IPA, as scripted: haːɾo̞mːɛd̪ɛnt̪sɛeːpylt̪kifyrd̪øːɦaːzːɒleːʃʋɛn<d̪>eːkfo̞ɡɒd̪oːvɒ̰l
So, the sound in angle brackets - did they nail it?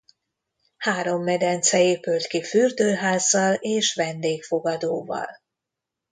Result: yes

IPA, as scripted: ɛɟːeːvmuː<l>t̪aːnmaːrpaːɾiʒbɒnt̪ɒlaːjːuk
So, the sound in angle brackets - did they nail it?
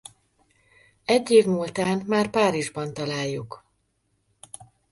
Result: yes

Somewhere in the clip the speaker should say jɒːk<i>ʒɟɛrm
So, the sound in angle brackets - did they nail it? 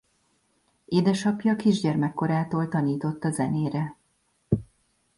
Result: yes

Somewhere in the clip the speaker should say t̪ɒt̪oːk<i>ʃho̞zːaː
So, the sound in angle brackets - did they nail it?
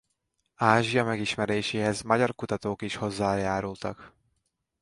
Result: yes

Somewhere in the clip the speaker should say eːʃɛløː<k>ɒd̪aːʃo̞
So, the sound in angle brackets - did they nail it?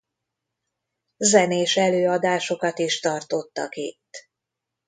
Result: no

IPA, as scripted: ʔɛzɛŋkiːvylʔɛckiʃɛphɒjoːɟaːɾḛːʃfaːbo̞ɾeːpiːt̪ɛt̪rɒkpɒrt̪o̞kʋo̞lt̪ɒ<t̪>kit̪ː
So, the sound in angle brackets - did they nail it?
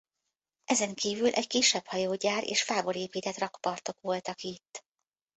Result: no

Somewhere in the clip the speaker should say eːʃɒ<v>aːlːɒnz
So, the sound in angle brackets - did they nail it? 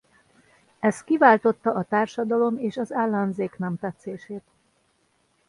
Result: no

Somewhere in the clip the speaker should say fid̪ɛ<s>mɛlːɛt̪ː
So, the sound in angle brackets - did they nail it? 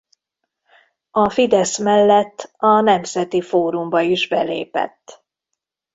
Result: yes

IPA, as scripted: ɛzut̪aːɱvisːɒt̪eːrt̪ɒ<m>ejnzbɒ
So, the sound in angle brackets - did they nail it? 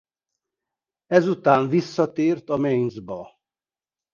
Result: yes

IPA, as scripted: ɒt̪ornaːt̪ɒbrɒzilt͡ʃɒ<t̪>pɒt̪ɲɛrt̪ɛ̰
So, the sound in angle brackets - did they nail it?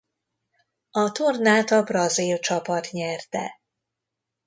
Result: no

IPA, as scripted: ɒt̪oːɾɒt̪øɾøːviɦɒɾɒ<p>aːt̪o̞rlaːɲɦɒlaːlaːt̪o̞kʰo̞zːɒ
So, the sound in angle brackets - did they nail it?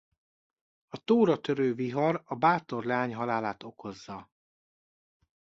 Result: no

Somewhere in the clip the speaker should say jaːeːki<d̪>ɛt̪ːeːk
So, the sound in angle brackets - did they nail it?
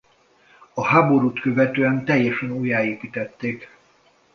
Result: no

